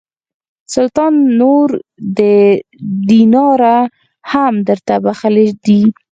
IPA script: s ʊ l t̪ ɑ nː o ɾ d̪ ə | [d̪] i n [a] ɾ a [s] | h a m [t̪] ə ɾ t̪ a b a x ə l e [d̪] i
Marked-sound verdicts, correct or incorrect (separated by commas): correct, incorrect, incorrect, incorrect, correct